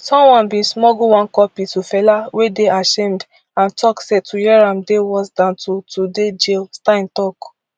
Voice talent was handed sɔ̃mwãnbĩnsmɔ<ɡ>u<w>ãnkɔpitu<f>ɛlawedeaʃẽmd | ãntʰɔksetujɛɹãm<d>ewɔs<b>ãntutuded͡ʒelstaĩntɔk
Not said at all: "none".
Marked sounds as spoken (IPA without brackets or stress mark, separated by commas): ɡ, w, f, d, d